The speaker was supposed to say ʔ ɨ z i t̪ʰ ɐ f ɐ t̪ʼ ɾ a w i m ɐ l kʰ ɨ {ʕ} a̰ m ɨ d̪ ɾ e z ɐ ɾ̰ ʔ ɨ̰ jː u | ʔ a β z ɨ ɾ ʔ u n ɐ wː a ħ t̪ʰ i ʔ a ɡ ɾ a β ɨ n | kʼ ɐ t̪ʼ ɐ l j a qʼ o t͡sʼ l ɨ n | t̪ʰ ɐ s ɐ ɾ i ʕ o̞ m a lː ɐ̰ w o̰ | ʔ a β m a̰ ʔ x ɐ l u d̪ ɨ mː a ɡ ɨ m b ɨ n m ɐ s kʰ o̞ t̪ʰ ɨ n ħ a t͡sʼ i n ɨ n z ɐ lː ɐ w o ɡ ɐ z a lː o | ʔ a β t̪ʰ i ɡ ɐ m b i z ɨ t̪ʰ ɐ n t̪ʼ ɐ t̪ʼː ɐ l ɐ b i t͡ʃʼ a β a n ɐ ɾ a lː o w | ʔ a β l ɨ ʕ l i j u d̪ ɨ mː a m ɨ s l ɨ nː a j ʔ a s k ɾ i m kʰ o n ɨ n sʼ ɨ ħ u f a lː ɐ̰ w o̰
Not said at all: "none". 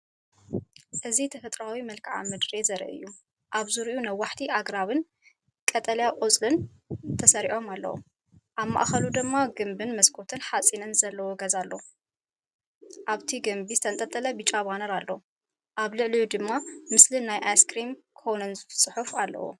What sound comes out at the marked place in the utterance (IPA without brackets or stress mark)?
ʕ